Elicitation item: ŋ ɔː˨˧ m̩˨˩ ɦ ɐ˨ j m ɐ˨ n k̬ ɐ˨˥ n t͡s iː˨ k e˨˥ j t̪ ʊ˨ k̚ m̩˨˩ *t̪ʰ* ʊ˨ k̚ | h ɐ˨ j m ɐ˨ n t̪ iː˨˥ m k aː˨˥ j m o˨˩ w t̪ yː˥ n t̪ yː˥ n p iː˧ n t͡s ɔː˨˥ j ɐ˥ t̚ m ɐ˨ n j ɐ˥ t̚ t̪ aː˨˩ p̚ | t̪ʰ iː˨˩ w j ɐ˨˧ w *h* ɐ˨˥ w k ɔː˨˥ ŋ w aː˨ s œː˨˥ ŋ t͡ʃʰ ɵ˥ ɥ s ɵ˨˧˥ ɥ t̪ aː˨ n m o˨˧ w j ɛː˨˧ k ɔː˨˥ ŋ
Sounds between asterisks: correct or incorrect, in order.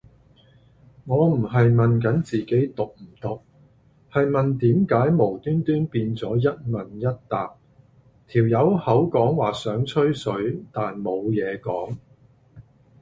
incorrect, correct

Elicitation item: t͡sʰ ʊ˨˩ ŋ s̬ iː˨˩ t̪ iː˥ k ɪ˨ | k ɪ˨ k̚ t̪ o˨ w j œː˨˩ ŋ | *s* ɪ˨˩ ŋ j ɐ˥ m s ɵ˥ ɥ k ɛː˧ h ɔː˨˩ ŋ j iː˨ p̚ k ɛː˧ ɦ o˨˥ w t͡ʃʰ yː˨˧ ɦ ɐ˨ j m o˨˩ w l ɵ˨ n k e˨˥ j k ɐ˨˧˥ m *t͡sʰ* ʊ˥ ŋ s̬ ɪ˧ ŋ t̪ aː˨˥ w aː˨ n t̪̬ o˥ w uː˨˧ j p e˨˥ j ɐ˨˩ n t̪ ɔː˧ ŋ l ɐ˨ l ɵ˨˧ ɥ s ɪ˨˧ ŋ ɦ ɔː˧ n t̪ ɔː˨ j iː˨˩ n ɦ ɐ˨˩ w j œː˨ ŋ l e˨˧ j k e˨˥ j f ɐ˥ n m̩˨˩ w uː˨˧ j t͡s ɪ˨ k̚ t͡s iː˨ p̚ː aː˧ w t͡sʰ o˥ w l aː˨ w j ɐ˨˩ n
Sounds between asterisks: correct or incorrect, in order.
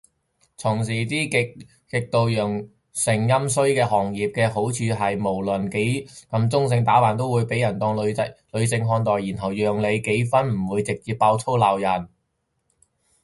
correct, incorrect

